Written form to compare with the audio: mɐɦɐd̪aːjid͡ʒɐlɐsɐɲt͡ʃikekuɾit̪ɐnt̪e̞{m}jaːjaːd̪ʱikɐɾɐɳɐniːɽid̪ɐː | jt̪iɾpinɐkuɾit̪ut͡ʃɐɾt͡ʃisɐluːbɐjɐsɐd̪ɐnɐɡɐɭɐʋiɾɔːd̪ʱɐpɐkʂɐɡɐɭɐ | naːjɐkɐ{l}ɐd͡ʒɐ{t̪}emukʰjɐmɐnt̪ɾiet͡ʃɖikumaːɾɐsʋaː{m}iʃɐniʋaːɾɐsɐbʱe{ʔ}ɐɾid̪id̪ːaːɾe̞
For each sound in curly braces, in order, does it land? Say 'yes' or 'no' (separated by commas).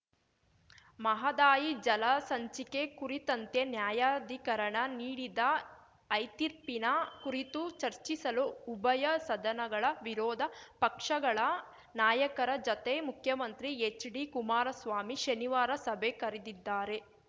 no, no, yes, yes, no